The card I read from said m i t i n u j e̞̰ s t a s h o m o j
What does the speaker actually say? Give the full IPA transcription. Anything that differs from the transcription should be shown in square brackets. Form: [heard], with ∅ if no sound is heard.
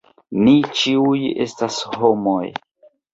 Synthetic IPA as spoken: [n] i [t͡ʃ] i [∅] u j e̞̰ s t a s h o m o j